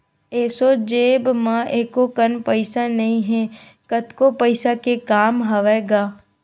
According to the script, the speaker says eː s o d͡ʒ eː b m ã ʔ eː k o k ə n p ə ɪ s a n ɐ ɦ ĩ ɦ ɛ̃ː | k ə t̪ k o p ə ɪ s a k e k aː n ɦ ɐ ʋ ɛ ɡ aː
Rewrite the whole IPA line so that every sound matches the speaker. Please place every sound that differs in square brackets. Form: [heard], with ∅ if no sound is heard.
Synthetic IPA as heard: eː s o d͡ʒ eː b m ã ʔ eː k o k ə n p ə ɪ s a n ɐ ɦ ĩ ɦ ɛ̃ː | k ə t̪ k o p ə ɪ s a k e k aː [m] ɦ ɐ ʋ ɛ ɡ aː